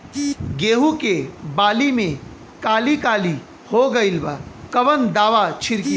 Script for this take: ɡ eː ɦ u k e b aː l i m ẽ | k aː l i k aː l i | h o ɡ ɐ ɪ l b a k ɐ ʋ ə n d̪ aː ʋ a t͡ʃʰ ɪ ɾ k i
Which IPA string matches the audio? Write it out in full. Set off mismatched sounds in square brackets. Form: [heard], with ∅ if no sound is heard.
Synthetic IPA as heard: ɡ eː ɦ u k e b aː l i m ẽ | k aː l i k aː l i | h o ɡ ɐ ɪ l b a k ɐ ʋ ə n d̪ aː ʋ a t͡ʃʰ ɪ ɾ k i